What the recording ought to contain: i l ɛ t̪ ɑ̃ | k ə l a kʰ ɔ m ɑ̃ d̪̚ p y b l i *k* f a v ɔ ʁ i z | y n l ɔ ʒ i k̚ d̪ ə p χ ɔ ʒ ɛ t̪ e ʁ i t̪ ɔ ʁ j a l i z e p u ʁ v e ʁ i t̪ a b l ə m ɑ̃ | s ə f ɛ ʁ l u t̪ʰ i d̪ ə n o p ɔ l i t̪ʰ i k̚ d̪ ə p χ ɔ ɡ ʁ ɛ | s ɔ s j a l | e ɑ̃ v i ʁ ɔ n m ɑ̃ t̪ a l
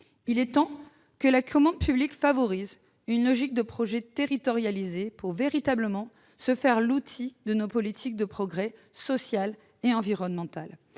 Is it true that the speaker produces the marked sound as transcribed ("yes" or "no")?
yes